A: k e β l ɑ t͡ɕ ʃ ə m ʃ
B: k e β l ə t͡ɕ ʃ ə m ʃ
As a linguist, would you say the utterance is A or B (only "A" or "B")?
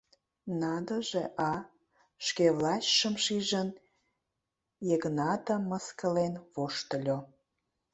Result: A